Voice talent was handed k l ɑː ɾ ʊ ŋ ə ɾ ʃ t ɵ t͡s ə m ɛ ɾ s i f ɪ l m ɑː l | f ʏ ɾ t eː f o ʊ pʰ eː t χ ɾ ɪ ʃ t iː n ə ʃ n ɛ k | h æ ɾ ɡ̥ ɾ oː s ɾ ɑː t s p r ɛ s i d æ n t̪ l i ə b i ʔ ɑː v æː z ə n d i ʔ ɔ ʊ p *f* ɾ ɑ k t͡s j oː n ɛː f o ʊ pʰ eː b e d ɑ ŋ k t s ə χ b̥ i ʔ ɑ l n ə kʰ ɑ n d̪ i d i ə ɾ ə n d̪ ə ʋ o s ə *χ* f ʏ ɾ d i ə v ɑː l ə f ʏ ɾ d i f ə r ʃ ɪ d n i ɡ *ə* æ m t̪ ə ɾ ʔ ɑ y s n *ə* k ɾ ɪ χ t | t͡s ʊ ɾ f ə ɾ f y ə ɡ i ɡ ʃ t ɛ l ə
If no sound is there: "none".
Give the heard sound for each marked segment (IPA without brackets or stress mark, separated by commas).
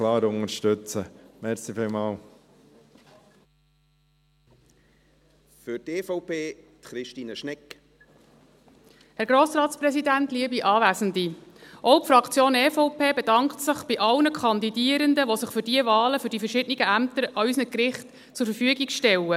f, χ, ə, ə